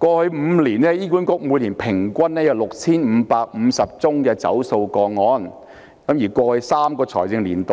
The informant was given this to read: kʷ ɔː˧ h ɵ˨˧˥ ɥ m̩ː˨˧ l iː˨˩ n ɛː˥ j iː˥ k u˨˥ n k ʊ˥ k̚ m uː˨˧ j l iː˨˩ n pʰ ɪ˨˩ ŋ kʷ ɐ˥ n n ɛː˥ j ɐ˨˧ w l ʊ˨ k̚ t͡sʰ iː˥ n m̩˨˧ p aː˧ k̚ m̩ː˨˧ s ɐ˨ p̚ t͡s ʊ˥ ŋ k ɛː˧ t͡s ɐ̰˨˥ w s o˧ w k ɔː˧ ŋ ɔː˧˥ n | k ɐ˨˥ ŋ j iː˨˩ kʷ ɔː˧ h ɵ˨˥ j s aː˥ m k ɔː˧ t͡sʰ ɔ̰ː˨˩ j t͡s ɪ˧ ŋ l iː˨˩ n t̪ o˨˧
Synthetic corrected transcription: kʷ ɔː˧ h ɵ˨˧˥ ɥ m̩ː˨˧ l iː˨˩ n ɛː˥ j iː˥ k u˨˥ n k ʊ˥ k̚ m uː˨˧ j l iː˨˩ n pʰ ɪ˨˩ ŋ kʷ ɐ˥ n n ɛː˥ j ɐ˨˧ w l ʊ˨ k̚ t͡sʰ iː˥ n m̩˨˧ p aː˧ k̚ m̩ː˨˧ s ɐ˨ p̚ t͡s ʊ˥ ŋ k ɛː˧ t͡s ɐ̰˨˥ w s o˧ w k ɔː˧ ŋ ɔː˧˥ n | k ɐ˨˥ m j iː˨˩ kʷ ɔː˧ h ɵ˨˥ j s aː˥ m k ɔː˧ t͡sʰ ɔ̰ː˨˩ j t͡s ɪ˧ ŋ l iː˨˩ n t̪ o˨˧